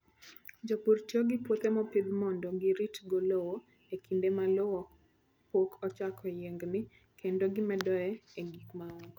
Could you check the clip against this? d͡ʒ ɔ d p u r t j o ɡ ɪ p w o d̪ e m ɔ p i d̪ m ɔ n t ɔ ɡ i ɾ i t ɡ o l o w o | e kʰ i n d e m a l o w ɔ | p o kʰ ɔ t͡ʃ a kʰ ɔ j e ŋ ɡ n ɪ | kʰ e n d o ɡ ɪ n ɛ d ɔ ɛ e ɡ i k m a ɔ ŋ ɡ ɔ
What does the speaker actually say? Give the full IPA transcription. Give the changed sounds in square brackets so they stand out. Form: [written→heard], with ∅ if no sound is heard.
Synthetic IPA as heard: d͡ʒ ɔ [d→∅] p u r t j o ɡ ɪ p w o [d̪→t̪] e m ɔ p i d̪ m ɔ n [t→d] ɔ ɡ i ɾ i t ɡ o l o w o | e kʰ i n d e m a l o w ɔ | p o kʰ ɔ t͡ʃ a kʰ ɔ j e ŋ ɡ n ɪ | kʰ e n d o ɡ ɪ [n→m] ɛ d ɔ ɛ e ɡ i k m a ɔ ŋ ɡ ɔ